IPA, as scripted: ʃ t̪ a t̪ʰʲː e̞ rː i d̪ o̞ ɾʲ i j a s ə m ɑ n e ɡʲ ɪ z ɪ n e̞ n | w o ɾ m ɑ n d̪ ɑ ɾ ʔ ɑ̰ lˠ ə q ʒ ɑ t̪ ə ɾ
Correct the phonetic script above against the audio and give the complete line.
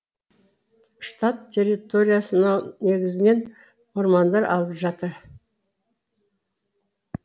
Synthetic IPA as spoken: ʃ t̪ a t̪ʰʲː e̞ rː i t̪ o̞ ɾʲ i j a s ə n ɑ n e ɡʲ ɪ z ɪ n e̞ n | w o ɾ m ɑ n d̪ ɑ ɾ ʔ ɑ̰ lˠ ə p ʒ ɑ t̪ ə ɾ